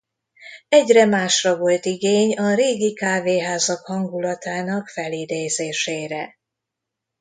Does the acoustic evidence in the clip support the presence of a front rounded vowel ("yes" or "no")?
no